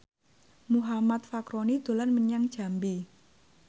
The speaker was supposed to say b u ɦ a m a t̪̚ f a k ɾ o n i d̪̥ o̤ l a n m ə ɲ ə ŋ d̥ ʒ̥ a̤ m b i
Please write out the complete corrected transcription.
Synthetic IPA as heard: m u ɦ a m a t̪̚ f a k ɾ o n i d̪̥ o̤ l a n m ə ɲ a ŋ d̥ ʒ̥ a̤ m b i